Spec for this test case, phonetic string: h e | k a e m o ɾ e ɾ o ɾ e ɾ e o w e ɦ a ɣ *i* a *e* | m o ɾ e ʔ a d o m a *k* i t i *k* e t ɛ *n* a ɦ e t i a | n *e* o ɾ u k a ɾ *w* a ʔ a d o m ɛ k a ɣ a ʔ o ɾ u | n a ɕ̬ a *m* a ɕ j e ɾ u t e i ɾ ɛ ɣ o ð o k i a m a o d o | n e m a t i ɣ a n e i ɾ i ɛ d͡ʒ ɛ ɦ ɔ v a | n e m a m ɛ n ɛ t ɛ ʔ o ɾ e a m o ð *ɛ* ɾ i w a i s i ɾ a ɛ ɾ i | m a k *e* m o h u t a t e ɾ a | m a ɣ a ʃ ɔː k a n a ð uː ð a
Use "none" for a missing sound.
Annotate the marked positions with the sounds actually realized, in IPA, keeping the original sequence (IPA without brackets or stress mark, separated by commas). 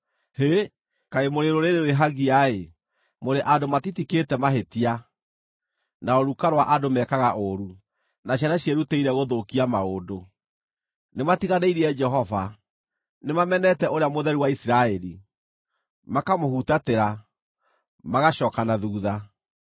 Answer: i, e, t, k, m, a, w, n, ɛ, a